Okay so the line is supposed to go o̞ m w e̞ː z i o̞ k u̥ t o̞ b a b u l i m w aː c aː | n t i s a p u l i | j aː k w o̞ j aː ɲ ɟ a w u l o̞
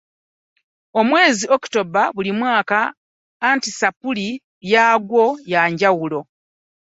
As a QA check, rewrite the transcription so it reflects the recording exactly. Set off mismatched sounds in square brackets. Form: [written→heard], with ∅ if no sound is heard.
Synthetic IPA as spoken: o̞ m w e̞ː z i o̞ k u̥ t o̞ b a [b→β] u l i m w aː [c→k] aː | n t i s a p u l i | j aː [k→ɡ] w o̞ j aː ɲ ɟ a w u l o̞